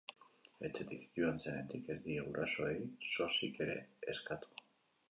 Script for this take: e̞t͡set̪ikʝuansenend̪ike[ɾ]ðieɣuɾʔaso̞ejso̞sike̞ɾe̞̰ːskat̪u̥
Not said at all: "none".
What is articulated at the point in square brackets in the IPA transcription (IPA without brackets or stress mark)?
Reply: ɾ